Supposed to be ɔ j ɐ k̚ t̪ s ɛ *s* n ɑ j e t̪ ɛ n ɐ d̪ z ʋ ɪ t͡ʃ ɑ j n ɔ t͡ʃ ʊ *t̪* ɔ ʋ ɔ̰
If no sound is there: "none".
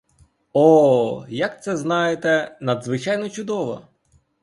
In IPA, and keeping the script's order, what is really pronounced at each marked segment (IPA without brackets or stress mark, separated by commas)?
z, d̪